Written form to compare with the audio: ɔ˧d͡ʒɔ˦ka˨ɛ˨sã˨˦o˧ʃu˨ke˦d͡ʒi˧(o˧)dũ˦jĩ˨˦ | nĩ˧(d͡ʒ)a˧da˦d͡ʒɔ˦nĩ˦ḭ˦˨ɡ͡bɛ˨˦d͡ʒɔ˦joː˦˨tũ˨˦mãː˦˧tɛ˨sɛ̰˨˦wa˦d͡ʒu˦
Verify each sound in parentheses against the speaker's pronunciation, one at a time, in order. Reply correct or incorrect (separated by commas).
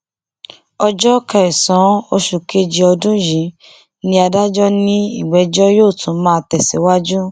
incorrect, incorrect